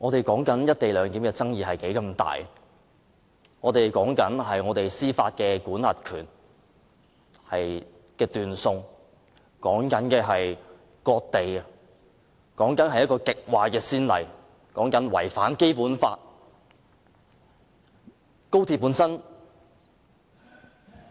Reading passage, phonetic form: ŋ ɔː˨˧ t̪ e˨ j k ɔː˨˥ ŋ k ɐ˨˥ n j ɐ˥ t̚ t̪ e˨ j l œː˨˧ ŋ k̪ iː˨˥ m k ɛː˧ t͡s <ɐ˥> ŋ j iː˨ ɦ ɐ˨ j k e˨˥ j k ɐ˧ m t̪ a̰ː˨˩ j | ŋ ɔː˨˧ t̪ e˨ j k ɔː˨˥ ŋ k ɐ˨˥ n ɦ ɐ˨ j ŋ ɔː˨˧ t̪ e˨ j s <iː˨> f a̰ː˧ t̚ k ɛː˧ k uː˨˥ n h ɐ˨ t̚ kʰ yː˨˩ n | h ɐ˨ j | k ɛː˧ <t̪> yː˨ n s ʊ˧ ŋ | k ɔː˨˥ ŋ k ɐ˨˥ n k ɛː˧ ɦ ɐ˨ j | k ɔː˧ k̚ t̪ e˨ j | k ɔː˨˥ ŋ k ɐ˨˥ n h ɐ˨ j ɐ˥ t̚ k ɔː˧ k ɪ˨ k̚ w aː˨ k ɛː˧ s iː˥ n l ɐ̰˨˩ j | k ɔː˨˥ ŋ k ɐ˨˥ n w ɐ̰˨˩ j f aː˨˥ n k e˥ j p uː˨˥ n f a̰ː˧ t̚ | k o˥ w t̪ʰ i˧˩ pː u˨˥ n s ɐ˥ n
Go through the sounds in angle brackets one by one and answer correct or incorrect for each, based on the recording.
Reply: correct, incorrect, correct

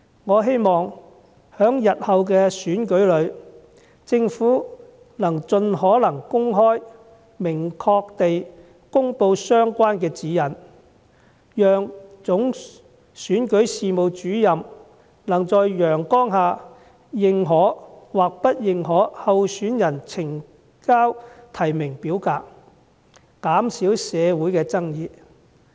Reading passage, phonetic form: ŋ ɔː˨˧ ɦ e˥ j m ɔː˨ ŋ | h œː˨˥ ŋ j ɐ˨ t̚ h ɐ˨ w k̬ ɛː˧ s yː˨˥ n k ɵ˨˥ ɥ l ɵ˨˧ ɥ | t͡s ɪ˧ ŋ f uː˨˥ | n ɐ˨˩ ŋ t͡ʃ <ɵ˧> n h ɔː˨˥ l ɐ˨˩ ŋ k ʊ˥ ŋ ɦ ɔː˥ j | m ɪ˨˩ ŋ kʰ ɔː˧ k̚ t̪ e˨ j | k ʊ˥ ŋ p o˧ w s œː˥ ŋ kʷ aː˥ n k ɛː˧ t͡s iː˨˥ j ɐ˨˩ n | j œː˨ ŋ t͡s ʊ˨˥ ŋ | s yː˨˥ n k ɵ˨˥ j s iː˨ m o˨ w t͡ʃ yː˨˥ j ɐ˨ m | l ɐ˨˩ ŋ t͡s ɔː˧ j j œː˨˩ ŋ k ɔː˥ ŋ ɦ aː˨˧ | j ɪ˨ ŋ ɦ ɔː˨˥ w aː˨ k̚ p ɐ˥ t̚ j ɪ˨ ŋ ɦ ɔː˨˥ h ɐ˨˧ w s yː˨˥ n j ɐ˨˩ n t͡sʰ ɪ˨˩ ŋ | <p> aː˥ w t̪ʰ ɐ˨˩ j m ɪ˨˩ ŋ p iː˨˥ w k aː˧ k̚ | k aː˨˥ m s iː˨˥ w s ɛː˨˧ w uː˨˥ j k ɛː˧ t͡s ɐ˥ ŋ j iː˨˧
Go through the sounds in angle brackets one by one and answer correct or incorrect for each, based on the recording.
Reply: correct, incorrect

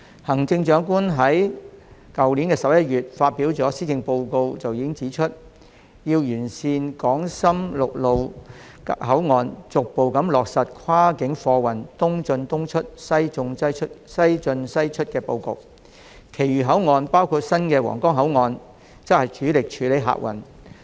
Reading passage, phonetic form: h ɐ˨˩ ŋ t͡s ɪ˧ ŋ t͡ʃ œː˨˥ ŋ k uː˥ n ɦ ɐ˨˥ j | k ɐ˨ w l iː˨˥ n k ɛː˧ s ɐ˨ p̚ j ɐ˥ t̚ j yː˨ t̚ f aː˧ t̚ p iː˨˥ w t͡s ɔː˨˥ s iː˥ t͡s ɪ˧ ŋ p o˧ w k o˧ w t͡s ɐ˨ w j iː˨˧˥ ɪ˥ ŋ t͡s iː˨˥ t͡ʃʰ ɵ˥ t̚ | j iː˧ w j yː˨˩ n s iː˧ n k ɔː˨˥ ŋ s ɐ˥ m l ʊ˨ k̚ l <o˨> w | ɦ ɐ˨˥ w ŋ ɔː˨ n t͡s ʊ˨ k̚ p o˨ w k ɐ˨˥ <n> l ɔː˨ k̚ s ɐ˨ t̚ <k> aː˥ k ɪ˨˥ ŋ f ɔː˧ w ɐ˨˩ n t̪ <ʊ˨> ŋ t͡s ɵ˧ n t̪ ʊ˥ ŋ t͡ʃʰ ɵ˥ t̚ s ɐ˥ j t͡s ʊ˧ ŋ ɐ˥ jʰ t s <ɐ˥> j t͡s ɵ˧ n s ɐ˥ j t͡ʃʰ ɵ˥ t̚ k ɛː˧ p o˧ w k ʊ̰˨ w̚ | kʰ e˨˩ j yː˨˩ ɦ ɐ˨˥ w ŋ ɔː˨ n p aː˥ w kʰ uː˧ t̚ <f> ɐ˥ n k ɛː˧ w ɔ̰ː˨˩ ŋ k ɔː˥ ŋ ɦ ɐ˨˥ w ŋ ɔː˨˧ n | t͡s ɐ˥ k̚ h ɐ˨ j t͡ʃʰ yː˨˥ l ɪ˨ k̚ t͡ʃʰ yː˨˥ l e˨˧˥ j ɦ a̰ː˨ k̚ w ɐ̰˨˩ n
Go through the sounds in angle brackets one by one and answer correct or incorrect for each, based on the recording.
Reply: correct, incorrect, incorrect, incorrect, correct, incorrect

